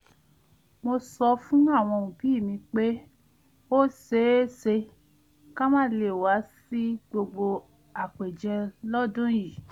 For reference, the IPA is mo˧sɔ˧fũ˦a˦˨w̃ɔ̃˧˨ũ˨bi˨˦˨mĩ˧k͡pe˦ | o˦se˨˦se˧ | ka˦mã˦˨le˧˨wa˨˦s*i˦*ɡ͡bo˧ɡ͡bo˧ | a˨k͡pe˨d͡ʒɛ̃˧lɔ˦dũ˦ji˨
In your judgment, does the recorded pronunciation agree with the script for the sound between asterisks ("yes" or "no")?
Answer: yes